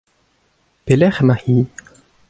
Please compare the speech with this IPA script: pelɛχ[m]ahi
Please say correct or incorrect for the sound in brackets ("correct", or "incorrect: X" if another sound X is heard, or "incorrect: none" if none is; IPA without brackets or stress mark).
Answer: correct